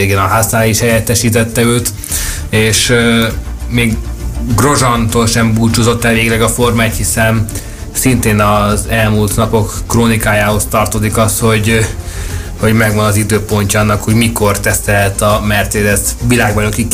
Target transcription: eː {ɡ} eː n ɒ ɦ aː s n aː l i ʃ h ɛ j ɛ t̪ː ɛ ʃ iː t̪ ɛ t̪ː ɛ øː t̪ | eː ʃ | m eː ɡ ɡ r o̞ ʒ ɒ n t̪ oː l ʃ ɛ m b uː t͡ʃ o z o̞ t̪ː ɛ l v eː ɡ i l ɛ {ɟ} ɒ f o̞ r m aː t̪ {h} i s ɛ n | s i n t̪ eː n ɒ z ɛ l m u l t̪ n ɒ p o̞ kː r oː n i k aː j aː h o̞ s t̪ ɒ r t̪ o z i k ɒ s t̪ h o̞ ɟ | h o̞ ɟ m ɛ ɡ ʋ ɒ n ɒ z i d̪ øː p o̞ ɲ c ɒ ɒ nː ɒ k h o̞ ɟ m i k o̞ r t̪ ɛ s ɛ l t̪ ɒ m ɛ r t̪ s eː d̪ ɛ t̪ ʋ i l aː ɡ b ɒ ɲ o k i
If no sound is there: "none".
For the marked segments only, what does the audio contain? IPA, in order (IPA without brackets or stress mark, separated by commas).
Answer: ɡ, ɡ, h